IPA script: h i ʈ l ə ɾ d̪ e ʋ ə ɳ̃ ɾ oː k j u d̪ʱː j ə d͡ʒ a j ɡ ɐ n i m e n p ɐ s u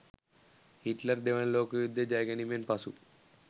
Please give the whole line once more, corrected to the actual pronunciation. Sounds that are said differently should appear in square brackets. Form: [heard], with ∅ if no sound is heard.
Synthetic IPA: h i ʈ l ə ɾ d̪ e ʋ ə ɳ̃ [l] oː k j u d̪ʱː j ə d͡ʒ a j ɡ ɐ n i m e n p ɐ s u